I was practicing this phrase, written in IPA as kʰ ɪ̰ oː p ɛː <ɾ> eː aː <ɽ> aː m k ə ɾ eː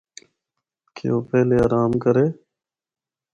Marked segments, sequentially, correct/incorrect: incorrect: l, incorrect: ɾ

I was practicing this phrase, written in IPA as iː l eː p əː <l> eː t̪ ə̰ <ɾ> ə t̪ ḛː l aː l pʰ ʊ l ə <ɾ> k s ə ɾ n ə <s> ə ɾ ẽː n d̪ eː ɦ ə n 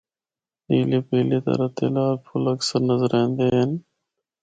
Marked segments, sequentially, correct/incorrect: correct, correct, incorrect: none, incorrect: z

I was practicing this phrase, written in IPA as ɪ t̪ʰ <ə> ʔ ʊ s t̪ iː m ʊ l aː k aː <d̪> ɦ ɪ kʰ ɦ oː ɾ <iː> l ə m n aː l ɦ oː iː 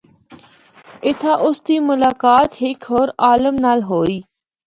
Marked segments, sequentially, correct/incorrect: incorrect: a, incorrect: t̪, incorrect: aː

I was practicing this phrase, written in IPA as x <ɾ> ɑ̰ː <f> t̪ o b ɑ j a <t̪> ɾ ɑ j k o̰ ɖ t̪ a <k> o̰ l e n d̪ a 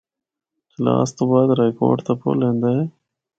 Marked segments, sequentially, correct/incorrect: incorrect: l, incorrect: s, incorrect: d̪, incorrect: p

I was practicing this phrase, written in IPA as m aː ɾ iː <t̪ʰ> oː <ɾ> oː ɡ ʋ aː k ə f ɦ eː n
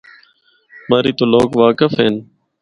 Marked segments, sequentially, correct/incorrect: incorrect: t̪, incorrect: l

